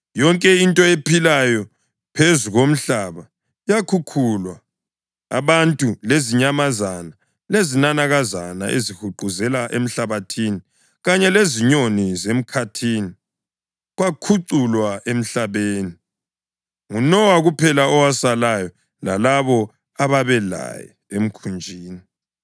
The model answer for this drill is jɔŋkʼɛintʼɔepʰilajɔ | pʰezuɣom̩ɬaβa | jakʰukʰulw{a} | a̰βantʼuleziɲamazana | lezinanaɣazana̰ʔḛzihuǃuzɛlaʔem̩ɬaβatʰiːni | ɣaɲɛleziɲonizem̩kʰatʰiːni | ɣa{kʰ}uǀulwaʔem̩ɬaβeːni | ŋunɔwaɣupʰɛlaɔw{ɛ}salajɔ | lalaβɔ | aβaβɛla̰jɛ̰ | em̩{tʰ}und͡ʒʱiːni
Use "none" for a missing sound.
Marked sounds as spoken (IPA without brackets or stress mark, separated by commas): a, kʰ, a, kʰ